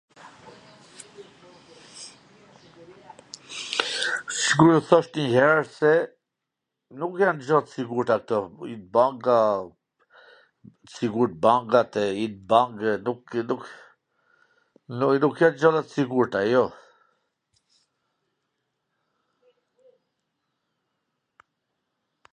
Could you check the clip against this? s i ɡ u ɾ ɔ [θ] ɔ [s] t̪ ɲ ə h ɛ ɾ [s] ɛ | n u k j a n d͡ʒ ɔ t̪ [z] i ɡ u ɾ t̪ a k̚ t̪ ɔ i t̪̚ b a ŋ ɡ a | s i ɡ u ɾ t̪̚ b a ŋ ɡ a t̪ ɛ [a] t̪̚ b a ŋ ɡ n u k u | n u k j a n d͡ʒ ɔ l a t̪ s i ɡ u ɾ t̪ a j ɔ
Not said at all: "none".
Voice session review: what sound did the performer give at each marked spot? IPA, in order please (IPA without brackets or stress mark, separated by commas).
θ, ʃ, s, s, i